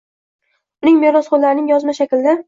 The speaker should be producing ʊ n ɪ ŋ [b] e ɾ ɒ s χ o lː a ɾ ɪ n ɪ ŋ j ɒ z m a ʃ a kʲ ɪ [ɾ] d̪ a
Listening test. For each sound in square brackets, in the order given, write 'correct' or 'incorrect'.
incorrect: m, incorrect: l

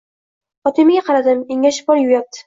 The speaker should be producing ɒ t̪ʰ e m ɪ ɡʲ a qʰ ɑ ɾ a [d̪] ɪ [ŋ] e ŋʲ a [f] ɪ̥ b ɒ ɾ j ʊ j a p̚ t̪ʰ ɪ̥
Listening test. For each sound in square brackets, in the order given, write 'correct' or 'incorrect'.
correct, incorrect: m, incorrect: ʃ

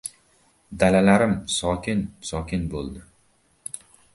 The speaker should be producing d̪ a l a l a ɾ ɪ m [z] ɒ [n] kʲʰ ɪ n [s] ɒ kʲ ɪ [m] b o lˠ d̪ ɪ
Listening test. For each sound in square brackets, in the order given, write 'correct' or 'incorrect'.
incorrect: s, incorrect: none, correct, incorrect: n

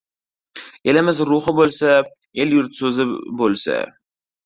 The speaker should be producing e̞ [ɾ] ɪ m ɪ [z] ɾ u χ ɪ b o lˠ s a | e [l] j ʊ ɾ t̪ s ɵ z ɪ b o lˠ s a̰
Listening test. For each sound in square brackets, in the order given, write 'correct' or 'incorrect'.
incorrect: l, correct, correct

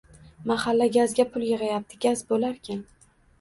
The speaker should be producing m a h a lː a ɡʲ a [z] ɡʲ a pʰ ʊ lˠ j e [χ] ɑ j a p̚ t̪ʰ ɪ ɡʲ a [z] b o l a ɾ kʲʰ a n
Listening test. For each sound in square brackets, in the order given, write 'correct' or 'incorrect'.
correct, incorrect: ʁ, correct

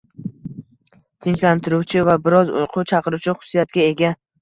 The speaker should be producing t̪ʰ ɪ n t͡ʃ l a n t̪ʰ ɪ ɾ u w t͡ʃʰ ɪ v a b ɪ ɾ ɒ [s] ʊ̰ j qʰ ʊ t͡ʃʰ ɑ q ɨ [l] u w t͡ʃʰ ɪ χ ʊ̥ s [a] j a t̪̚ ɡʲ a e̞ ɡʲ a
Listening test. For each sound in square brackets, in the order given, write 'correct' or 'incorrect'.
incorrect: z, incorrect: ɾ, incorrect: i

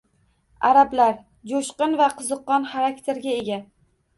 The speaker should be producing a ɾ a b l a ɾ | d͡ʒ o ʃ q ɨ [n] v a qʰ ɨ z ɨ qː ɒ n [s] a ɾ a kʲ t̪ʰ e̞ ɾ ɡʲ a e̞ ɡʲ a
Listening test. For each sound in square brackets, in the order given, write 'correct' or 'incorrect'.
correct, incorrect: χ

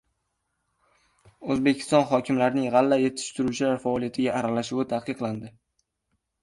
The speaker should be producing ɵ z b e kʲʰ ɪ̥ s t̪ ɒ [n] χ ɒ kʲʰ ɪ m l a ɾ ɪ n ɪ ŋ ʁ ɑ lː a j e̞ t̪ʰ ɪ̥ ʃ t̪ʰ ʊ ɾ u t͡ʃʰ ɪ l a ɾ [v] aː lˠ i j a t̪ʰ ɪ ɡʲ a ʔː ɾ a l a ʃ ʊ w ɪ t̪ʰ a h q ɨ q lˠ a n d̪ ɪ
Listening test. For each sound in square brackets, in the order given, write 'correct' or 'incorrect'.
correct, incorrect: f

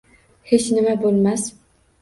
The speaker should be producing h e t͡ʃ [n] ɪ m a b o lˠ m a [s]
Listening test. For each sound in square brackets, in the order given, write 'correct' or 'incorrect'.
correct, correct

